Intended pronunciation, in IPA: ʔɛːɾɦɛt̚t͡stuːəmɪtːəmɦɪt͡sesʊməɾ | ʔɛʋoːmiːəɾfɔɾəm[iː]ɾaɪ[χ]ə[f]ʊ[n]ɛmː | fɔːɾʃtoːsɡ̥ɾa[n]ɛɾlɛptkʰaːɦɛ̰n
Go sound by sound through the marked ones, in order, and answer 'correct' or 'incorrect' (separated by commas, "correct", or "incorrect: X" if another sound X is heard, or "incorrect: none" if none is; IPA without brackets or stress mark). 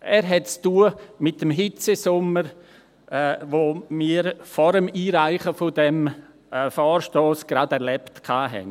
correct, correct, correct, incorrect: d, incorrect: d